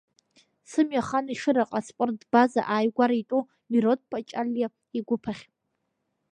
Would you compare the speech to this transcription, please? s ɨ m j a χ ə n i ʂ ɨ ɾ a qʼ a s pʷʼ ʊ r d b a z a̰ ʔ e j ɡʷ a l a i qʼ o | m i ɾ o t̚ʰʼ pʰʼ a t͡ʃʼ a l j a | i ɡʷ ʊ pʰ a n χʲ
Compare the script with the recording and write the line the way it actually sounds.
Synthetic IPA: s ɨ m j a χ a n i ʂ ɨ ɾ a qʼ a s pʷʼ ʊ r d b a z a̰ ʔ a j ɡʷ a ɾ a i tʼ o | m i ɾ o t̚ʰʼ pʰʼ a t͡ʃʼ a l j a | i ɡʷ ʊ pʰ a χʲ